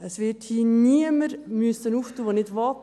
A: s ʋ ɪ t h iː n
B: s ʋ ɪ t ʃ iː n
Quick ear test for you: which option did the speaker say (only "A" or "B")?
A